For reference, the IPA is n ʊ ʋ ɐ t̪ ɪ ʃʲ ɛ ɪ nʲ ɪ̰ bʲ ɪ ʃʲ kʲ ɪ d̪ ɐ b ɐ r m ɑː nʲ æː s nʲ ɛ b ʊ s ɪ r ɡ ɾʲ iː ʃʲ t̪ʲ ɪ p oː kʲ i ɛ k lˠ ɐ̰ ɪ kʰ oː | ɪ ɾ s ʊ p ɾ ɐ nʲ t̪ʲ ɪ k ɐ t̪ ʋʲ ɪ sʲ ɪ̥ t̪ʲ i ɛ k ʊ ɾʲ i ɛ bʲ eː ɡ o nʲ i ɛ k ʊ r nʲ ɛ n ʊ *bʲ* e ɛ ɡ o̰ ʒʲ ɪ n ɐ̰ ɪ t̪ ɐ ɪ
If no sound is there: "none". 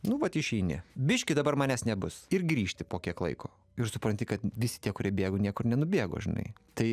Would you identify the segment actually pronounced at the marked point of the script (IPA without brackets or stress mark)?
bʲ